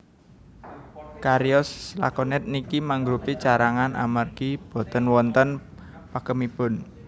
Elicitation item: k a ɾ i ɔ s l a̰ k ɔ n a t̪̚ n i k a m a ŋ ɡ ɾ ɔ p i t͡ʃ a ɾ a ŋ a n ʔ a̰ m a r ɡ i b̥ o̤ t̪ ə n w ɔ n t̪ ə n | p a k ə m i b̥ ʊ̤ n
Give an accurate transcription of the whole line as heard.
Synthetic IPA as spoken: k a ɾ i ɔ s l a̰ k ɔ n ɛ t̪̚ n i k i m a ŋ ɡ ɾ u p i t͡ʃ a ɾ a ŋ a n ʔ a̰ m a r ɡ i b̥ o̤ t̪ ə n w ɔ n t̪ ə n | p a k ə m i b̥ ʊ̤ n